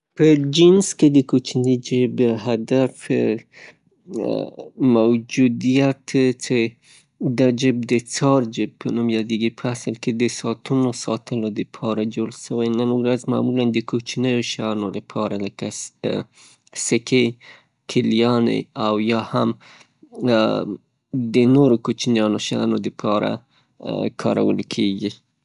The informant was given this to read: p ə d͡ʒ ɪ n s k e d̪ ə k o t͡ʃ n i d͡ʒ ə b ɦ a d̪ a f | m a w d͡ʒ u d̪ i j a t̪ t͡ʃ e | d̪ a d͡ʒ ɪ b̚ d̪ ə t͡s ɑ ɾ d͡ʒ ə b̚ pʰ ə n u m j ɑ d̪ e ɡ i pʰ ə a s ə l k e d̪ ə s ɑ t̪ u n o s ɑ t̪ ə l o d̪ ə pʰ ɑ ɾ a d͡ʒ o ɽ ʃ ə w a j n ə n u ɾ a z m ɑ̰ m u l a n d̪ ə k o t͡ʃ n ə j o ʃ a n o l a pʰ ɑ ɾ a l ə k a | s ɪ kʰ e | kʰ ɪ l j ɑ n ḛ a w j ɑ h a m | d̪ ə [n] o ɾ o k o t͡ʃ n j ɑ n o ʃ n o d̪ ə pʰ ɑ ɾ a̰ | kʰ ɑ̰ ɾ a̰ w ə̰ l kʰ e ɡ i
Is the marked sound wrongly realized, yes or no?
no